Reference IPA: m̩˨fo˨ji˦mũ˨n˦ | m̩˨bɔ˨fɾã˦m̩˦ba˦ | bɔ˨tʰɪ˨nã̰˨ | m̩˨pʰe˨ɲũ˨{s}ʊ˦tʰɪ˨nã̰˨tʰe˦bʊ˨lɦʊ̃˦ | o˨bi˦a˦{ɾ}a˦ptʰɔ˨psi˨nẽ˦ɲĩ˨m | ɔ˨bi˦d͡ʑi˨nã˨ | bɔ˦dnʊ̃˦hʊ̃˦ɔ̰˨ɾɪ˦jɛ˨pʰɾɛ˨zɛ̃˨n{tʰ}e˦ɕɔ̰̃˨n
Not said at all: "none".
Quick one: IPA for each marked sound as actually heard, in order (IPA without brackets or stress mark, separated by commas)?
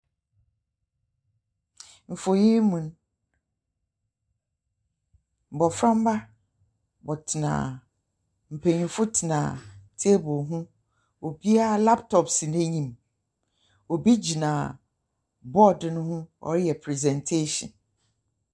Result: f, l, tʰ